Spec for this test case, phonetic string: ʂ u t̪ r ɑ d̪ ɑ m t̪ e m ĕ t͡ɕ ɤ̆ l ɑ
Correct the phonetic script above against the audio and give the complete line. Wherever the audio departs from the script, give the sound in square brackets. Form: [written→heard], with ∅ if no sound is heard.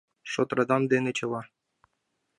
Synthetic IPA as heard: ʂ [u→o] t̪ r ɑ d̪ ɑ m [t̪→d̪] e [m→n] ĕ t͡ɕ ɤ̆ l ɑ